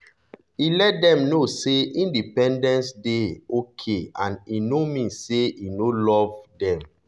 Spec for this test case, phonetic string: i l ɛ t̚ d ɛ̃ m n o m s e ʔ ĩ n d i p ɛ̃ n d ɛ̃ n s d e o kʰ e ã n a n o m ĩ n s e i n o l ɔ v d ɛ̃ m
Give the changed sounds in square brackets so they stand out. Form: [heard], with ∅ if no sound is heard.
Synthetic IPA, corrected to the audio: i l ɛ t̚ d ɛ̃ m n o [∅] s e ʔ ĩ n d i p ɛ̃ n d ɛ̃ n s d e o kʰ e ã n [i] n o m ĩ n s e i n o l ɔ v d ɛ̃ m